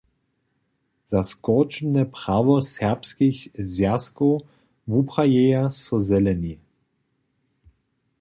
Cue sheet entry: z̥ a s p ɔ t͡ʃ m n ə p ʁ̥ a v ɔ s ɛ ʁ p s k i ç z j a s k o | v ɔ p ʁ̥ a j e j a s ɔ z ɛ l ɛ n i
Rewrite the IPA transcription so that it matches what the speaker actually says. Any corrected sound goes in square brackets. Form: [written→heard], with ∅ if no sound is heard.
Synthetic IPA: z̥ a s [p→k] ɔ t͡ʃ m n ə p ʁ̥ a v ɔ s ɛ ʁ p s k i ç z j a s k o | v [ɔ→u] p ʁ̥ a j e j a s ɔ z ɛ l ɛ n i